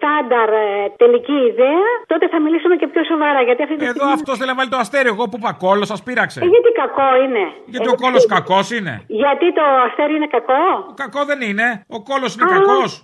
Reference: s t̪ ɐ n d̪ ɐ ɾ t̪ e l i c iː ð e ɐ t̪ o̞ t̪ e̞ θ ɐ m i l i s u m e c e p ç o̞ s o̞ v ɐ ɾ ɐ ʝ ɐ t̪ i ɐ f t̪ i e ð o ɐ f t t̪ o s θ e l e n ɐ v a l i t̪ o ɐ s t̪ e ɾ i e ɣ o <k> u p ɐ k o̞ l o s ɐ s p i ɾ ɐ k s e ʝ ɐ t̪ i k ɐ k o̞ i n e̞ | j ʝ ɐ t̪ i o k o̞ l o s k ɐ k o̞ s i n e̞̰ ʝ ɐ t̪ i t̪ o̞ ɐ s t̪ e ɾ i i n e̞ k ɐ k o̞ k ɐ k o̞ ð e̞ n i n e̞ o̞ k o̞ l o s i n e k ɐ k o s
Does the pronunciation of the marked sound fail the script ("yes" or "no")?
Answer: yes